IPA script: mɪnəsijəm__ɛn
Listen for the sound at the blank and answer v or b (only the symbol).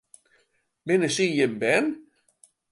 b